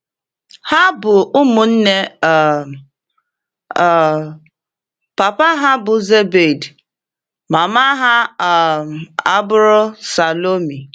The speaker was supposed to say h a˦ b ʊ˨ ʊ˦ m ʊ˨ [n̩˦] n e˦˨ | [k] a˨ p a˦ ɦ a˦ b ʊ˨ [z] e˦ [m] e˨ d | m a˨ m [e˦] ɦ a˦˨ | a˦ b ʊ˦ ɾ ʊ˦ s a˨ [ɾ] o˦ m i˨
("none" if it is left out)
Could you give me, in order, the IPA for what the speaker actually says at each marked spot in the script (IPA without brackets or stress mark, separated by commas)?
n̩˦, p, z, b, a˦, l